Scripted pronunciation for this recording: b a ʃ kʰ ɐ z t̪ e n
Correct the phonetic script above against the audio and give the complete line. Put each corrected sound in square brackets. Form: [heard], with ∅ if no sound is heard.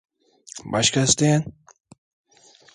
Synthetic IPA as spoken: b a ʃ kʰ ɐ [s] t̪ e n